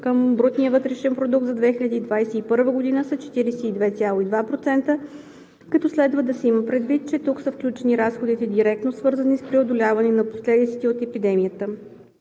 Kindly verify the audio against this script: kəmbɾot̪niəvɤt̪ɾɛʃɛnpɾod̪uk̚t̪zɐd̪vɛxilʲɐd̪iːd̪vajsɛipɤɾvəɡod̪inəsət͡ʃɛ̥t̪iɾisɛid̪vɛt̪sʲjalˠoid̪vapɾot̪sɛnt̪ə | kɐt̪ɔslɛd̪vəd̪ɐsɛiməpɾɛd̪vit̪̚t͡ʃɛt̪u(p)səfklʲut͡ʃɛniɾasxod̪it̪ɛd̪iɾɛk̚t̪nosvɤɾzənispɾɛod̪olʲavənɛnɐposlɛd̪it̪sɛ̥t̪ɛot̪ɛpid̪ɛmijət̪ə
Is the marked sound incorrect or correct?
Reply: incorrect